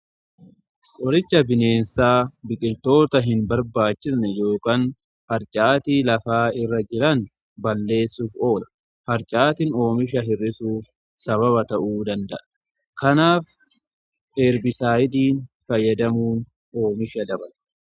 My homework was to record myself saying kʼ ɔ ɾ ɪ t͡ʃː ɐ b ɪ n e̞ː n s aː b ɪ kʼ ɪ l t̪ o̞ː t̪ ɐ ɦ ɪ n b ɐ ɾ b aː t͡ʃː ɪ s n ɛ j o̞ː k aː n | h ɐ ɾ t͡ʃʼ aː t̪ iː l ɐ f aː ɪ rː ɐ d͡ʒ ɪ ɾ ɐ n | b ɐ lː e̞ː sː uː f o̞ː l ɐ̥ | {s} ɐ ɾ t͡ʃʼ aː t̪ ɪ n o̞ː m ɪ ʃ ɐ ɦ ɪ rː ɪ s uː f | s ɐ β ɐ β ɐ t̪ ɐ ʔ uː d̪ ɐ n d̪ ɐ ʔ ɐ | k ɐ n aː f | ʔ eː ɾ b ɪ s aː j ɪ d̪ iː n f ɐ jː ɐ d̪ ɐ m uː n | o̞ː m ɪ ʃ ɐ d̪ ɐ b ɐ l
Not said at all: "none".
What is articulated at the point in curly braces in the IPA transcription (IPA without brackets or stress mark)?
h